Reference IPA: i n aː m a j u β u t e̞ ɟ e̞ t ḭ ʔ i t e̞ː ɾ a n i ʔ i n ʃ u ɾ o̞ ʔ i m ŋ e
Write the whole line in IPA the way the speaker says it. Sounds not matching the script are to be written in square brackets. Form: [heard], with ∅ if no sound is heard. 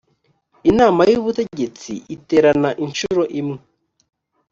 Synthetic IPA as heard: i n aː m a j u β u t e̞ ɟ e̞ [t͡s] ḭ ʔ i t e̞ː ɾ a n [a] ʔ i n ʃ u ɾ o̞ ʔ i m ŋ e